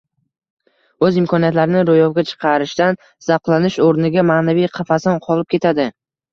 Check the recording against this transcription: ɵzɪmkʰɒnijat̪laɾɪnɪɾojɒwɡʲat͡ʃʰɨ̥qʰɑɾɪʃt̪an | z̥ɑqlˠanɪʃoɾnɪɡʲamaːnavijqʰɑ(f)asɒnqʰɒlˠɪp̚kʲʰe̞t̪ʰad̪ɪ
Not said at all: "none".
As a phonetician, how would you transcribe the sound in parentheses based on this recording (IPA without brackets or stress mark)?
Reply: f